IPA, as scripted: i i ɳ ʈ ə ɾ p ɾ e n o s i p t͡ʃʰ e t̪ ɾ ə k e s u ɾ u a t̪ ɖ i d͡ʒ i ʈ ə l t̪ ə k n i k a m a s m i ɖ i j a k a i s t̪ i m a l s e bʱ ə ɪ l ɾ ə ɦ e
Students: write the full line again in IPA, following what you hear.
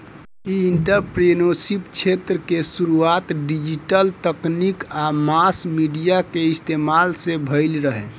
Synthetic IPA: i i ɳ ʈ ə ɾ p ɾ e n o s i p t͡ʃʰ e t̪ ɾ ə k e s u ɾ u a t̪ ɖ i d͡ʒ i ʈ ə l t̪ ə k n i k a m a s m i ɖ i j a k e i s t̪ e m a l s e bʱ ə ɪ l ɾ ə ɦ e